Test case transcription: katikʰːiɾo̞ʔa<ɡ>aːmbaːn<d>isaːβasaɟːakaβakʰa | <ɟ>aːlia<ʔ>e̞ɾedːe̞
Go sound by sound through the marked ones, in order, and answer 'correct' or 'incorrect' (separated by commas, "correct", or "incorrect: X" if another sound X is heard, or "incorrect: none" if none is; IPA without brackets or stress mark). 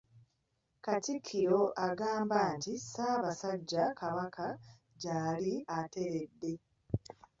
correct, incorrect: t, correct, incorrect: t